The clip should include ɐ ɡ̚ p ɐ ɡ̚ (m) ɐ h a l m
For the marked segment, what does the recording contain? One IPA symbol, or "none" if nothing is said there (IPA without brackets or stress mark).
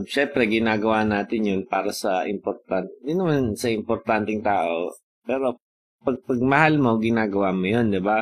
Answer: m